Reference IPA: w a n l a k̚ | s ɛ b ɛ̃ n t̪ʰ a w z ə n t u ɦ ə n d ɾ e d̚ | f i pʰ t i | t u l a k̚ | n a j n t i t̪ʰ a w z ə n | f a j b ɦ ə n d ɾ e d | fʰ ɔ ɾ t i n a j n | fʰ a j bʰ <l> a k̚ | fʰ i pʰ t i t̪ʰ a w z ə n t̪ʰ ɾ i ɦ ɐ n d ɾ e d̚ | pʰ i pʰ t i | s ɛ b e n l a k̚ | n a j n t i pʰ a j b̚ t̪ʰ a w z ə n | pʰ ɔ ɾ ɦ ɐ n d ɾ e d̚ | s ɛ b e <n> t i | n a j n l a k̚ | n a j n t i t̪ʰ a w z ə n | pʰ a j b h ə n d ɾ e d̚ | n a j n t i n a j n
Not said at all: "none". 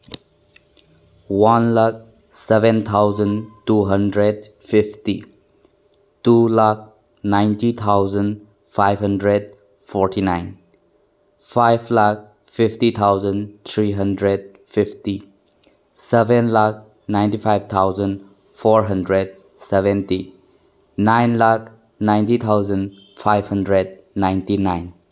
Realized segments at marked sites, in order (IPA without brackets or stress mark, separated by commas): l, n